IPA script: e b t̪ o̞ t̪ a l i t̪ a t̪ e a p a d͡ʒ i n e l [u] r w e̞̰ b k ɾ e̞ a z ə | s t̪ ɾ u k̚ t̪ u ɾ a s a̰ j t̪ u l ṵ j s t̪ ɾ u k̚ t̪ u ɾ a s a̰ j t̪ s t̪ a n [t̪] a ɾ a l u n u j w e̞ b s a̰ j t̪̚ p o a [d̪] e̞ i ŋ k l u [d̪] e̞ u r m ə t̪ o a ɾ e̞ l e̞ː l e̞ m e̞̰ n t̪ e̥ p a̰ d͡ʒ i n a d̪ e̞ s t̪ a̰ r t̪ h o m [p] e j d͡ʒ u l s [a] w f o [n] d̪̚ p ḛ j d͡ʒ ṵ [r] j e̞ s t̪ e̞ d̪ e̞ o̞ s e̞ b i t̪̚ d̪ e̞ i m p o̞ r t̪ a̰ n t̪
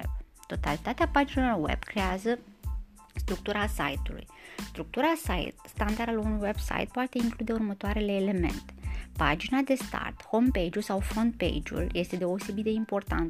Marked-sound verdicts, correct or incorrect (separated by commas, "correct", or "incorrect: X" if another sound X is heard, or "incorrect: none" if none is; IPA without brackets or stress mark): incorrect: o, incorrect: d̪, incorrect: t̪, correct, correct, correct, correct, incorrect: l